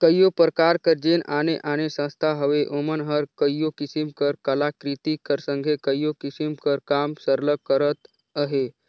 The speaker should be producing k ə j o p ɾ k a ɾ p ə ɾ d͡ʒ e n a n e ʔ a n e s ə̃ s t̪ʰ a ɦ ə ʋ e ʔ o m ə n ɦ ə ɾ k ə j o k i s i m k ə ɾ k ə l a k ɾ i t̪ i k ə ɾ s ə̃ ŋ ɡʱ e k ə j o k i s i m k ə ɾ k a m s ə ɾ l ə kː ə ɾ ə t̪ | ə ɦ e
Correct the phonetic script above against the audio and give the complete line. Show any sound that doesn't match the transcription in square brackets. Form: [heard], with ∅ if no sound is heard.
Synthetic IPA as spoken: k ə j o p ɾ k a ɾ [k] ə ɾ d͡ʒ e n a n e ʔ a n e s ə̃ s t̪ʰ a ɦ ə ʋ e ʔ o m ə n ɦ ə ɾ k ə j o k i s i m k ə ɾ k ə l a k ɾ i t̪ i k ə ɾ s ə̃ ŋ ɡʱ e k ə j o k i s i m k ə ɾ k a m s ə ɾ l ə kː ə ɾ ə t̪ | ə ɦ e